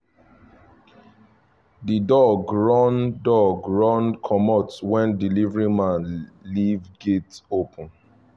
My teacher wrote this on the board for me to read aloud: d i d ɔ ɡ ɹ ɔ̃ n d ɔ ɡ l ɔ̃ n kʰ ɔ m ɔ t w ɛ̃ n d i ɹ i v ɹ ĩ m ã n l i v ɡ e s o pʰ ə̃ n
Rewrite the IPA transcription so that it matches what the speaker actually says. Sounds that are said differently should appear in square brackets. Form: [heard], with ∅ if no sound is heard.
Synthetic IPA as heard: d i d ɔ ɡ ɹ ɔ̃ n d ɔ ɡ [ɹ] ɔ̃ n kʰ ɔ m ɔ t w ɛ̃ n d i [l] i v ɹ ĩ m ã n l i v ɡ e [t] o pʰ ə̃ n